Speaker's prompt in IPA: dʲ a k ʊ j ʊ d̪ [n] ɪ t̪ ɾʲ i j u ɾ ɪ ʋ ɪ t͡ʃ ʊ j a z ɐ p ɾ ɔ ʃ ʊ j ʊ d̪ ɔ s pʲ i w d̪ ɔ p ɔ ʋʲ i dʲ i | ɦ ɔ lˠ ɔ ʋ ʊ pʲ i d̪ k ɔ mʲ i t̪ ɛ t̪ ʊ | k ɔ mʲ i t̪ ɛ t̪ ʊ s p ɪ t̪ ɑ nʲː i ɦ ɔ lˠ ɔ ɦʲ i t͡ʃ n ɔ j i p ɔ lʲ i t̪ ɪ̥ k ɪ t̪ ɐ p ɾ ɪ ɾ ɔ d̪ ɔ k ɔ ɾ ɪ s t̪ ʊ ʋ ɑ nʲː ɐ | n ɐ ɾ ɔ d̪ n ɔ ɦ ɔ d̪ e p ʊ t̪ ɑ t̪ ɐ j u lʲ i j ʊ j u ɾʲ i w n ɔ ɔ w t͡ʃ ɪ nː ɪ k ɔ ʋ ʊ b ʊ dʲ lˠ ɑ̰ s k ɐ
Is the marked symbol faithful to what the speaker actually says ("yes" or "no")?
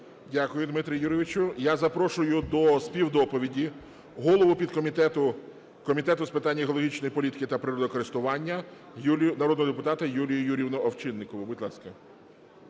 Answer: no